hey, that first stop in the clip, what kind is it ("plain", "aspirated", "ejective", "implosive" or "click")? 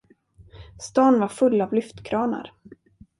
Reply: plain